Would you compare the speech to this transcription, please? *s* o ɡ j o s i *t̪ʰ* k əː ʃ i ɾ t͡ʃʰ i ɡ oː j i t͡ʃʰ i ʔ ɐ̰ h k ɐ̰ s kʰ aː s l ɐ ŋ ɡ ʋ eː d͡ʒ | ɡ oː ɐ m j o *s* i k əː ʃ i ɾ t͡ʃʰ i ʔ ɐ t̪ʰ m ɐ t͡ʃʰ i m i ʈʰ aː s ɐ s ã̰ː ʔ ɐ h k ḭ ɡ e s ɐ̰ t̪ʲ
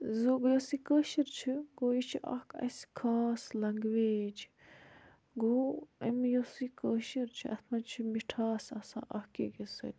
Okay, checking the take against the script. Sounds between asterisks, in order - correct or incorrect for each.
incorrect, incorrect, correct

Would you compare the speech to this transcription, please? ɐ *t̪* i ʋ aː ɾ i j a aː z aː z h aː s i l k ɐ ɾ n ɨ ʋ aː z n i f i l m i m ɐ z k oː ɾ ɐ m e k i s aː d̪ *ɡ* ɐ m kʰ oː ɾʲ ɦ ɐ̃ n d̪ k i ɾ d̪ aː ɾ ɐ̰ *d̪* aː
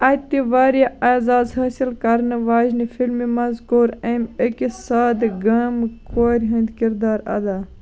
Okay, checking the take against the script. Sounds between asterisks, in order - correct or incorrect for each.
correct, correct, correct

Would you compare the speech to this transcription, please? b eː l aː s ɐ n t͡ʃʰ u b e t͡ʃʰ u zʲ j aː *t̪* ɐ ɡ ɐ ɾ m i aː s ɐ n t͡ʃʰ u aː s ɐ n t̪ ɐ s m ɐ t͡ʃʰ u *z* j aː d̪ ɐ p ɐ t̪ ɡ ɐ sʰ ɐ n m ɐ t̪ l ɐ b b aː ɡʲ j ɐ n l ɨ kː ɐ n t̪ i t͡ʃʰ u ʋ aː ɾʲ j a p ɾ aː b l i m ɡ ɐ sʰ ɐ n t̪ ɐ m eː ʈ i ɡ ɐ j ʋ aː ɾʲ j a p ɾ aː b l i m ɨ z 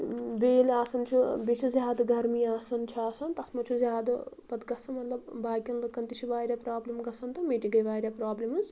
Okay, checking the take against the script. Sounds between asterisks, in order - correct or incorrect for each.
incorrect, correct

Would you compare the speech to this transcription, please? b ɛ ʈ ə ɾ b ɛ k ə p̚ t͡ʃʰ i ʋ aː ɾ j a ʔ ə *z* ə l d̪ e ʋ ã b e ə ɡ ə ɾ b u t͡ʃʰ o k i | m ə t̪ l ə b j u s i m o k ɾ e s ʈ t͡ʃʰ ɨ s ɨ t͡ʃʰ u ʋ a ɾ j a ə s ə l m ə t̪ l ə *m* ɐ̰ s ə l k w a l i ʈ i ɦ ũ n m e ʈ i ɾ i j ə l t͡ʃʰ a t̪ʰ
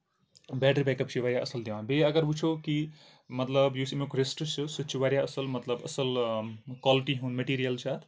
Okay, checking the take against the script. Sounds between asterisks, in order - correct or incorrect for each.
incorrect, incorrect

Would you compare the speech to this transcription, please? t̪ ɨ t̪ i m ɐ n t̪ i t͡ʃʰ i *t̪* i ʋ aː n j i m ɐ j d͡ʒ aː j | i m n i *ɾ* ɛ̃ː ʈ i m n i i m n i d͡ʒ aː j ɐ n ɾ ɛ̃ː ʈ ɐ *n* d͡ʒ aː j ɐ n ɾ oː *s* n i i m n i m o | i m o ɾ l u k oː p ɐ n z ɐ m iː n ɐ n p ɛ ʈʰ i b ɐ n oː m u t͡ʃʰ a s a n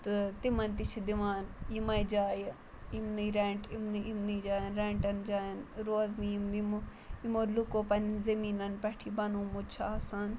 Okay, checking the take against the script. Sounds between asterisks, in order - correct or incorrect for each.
incorrect, correct, correct, incorrect

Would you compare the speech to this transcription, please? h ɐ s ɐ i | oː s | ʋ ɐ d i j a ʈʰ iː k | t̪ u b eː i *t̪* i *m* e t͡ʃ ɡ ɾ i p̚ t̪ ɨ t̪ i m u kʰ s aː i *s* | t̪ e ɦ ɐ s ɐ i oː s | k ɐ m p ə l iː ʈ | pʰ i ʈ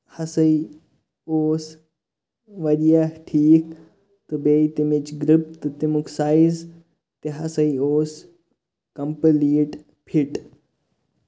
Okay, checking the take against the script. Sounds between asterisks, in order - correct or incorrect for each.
correct, correct, incorrect

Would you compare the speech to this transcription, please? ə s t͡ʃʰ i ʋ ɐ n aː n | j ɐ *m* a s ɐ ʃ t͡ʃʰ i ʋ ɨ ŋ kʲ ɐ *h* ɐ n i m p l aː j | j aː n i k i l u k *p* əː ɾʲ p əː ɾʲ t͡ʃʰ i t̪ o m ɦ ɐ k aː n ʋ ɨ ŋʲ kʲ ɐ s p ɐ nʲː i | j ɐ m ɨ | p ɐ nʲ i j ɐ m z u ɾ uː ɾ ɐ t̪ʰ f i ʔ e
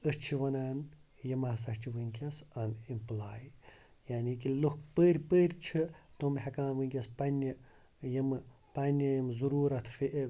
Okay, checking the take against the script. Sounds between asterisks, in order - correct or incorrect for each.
correct, incorrect, correct

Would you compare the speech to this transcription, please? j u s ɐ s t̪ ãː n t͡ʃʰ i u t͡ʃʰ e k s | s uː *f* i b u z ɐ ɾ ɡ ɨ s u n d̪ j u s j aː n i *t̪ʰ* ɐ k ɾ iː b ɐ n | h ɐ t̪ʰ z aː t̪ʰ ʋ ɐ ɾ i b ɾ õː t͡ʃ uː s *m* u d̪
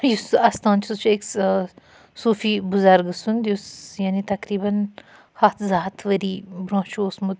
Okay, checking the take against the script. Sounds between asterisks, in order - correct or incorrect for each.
correct, incorrect, correct

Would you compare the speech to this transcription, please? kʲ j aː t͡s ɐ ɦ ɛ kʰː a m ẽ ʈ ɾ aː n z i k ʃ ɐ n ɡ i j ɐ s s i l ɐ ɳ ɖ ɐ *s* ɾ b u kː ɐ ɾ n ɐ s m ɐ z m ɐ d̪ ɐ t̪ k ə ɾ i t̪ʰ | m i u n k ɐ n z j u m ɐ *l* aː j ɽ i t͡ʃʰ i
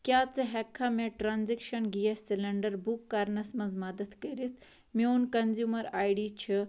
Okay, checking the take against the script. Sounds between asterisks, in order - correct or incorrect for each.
incorrect, incorrect

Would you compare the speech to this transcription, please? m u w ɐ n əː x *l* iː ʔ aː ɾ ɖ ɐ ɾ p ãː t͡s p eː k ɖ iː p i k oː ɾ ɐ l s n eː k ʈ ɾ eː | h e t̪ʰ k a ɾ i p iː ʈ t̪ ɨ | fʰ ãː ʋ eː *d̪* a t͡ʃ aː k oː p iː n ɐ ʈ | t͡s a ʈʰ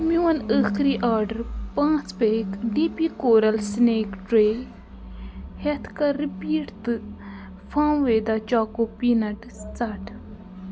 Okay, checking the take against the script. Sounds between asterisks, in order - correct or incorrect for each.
incorrect, correct

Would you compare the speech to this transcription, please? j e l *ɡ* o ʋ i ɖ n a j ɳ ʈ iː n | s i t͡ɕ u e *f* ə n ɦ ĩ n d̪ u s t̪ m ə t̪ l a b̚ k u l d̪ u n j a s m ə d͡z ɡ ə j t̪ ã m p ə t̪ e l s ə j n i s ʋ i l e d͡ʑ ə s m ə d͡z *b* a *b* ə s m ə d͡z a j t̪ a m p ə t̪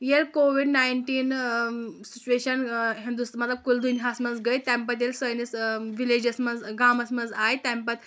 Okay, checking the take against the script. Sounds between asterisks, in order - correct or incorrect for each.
incorrect, incorrect, incorrect, incorrect

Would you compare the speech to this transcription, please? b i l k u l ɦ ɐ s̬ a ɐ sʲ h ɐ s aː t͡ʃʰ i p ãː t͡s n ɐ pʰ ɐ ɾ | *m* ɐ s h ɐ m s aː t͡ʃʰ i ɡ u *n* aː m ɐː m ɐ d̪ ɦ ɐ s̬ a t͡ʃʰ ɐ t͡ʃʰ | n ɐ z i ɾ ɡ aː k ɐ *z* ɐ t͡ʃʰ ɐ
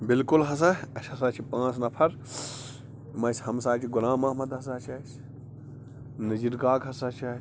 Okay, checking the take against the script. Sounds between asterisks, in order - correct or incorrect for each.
correct, correct, incorrect

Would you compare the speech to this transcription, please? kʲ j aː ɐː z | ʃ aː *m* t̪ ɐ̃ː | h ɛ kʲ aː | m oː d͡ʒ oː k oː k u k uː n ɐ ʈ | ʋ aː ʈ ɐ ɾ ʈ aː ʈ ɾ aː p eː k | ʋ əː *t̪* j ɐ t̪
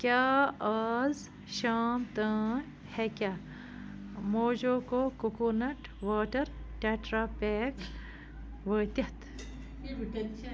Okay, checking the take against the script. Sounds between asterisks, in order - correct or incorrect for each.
correct, correct

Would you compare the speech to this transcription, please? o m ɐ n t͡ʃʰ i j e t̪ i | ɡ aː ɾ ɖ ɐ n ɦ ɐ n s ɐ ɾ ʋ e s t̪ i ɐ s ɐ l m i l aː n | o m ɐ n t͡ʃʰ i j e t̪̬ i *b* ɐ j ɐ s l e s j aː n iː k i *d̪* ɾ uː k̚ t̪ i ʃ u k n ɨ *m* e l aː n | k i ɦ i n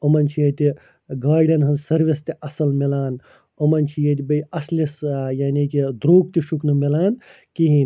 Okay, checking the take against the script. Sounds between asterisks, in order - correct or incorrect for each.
correct, correct, correct

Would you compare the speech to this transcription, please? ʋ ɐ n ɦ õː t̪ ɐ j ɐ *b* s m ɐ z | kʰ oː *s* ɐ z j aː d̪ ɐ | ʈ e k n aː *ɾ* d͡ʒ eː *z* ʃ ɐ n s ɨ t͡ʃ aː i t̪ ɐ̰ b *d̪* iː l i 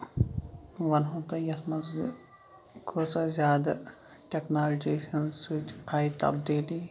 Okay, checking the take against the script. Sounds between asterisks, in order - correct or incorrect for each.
incorrect, correct, incorrect, incorrect, correct

